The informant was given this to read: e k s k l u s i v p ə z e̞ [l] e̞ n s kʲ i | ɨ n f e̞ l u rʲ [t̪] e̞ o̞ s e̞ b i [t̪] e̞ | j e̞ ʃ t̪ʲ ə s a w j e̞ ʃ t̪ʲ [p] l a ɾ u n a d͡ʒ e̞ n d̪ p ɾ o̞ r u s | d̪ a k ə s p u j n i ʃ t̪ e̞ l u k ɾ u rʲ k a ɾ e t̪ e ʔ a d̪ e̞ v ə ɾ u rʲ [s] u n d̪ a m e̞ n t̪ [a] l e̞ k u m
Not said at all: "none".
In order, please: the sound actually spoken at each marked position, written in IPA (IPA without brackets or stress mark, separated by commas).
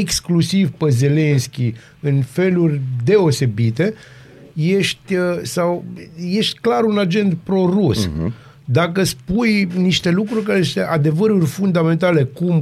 l, d̪, t̪, k, f, a